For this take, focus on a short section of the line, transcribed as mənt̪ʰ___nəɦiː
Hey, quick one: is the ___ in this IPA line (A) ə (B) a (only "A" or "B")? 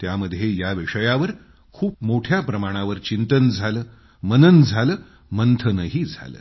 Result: A